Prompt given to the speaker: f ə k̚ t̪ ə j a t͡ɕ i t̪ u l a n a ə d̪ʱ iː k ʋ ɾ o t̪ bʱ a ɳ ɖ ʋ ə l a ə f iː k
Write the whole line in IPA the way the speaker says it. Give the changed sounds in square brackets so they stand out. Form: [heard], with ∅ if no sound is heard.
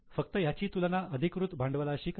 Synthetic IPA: f ə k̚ t̪ ə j a t͡ɕ [iː] t̪ u l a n a ə d̪ʱ [i] k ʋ ɾ [u] t̪ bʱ a ɳ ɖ ʋ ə l a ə [ɕ] iː k